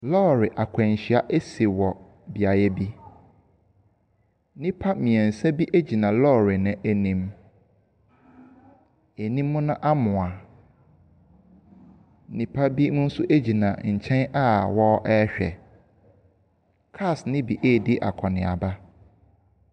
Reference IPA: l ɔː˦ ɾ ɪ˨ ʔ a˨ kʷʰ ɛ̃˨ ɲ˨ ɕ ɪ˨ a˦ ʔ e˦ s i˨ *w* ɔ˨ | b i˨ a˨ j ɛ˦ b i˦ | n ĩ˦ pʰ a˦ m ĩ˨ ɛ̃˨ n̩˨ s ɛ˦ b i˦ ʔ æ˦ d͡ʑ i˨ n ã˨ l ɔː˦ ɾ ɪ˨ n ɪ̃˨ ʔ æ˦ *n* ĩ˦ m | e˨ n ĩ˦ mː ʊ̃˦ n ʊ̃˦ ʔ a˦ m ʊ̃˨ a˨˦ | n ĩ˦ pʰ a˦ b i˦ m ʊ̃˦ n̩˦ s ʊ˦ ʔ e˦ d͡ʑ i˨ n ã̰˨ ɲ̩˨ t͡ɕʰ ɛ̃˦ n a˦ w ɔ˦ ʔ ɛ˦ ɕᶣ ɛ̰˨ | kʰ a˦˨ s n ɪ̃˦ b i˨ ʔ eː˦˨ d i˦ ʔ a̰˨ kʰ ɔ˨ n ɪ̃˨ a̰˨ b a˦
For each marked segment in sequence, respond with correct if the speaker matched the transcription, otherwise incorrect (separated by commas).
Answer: correct, correct